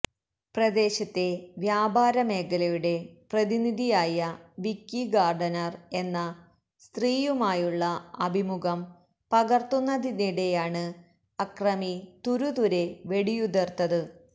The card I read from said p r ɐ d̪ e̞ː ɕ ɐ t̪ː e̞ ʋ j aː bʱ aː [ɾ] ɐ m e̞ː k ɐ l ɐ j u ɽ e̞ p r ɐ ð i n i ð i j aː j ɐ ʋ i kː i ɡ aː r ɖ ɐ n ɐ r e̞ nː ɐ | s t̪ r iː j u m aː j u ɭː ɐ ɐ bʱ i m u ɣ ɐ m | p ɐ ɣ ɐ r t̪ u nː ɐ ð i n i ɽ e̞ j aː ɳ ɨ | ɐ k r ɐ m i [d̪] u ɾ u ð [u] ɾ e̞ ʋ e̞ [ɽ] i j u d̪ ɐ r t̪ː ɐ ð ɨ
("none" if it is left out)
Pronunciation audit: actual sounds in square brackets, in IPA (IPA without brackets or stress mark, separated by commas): ɾ, t̪, u, ɽ